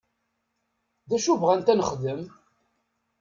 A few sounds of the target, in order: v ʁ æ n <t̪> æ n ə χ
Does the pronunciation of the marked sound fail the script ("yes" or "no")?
no